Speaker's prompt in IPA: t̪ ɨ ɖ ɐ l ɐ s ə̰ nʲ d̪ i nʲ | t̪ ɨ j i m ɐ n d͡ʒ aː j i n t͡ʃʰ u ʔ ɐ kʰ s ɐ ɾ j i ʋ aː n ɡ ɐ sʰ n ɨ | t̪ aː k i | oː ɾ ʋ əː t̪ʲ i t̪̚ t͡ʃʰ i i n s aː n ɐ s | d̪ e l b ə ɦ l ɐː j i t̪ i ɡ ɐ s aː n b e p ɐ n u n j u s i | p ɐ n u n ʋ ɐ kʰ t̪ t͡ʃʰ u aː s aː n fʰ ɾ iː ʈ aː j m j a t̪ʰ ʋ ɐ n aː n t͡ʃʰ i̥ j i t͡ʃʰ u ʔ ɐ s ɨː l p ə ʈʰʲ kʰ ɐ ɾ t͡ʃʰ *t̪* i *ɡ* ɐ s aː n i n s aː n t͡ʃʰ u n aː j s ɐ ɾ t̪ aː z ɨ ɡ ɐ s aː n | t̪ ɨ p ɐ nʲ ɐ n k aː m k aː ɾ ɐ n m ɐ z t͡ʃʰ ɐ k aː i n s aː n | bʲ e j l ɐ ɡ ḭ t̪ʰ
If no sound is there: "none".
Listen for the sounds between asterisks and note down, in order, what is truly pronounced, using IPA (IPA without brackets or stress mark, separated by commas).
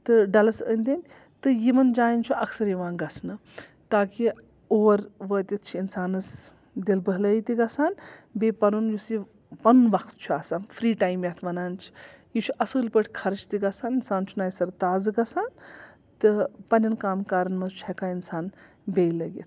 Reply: t̪, ɡ